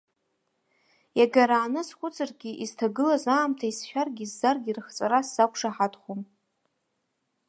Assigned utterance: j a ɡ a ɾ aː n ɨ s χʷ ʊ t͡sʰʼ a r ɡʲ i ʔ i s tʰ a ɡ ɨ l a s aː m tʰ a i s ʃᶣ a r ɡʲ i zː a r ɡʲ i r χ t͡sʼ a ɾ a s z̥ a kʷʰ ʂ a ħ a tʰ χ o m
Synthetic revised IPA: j a ɡ a ɾ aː n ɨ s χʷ ʊ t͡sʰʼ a r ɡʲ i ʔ i z tʰ a ɡ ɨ l a z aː m tʰ a i s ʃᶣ a r ɡʲ i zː a r ɡʲ i r χ t͡sʼ a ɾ a s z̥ a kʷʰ ʂ a ħ a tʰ χ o m